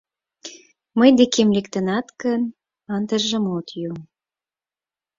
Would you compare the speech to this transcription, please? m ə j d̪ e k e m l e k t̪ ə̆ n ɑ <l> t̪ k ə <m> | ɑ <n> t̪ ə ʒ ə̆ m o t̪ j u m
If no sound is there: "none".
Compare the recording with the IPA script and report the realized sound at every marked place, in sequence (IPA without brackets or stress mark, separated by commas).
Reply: none, n, n